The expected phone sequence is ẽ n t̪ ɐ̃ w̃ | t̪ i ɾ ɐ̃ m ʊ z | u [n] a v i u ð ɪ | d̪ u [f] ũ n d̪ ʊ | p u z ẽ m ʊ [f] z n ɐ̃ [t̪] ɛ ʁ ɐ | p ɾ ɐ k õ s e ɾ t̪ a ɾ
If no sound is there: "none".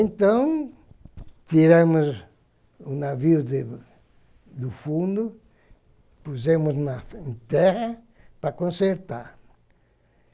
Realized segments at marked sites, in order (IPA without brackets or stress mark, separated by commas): n, f, none, t̪